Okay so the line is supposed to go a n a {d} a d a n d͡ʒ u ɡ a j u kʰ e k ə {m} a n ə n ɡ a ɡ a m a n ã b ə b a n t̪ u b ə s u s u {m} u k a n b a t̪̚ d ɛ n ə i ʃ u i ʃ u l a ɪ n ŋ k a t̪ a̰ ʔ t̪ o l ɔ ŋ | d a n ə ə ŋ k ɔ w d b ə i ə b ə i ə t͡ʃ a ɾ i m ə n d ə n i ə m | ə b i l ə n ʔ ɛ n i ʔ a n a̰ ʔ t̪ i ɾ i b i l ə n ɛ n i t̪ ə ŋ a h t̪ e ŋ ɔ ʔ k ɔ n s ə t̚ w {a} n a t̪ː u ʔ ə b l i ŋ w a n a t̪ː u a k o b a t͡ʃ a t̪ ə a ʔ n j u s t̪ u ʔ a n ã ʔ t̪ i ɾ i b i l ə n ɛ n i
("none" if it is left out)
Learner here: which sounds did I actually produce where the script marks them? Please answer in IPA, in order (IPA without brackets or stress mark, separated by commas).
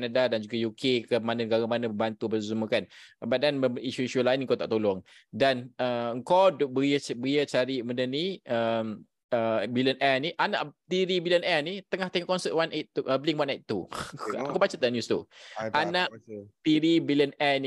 d, m, m, a